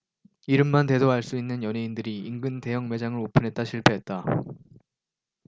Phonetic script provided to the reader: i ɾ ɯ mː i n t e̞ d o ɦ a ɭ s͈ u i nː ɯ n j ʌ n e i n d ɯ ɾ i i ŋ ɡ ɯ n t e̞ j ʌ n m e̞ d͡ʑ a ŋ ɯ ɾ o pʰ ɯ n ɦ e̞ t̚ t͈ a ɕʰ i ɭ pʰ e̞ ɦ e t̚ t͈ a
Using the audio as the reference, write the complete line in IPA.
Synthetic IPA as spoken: i ɾ ɯ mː a n t e̞ d o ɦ a ɭ s͈ u i nː ɯ n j ʌ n e i n d ɯ ɾ i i ŋ ɡ ɯ n t e̞ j ʌ ŋ m e̞ d͡ʑ a ŋ ɯ ɾ o pʰ ɯ n ɦ e̞ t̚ t͈ a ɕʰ i ɭ pʰ e̞ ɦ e t̚ t͈ a

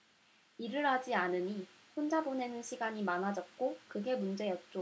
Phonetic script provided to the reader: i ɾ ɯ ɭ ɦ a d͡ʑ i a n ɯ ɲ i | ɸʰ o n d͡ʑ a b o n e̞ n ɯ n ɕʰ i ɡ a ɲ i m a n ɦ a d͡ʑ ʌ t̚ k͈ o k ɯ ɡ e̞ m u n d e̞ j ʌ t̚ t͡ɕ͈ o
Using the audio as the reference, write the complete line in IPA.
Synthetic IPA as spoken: i ɾ ɯ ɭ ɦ a d͡ʑ i a n ɯ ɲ i | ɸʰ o n d͡ʑ a b o n e̞ n ɯ n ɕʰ i ɡ a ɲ i m a n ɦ a d͡ʑ ʌ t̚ k͈ o k ɯ ɡ e̞ m u n d͡ʑ e̞ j ʌ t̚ t͡ɕ͈ o

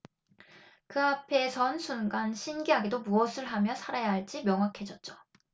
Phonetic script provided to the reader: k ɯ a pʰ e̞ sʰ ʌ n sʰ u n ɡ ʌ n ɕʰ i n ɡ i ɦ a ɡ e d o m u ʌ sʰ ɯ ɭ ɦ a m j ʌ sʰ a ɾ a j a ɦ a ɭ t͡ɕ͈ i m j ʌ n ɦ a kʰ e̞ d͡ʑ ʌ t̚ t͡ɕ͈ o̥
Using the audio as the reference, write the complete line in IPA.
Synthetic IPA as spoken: k ɯ a pʰ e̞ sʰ ʌ n sʰ u n ɡ a n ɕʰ i n ɡ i ɦ a ɡ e d o m u ʌ sʰ ɯ ɭ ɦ a m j ʌ sʰ a ɾ a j a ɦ a ɭ t͡ɕ͈ i m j ʌ ŋ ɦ a kʰ e̞ d͡ʑ ʌ t̚ t͡ɕ͈ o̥

